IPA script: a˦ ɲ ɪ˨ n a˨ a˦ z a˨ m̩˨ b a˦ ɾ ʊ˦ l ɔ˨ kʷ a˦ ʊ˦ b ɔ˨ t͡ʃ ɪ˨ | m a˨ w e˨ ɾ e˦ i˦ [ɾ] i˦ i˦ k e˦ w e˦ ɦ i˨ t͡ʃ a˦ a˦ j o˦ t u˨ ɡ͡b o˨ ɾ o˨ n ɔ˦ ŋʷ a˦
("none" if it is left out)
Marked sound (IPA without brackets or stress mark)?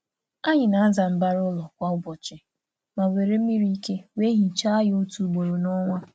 ɾ